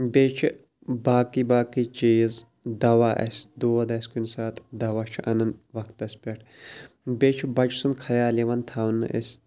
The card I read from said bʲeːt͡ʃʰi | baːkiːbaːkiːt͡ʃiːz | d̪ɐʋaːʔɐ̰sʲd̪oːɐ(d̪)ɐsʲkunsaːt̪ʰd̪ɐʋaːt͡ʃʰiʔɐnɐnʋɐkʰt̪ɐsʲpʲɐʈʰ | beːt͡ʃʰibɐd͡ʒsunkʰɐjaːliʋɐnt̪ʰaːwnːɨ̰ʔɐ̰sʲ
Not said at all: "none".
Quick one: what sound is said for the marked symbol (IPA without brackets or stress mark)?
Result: d̪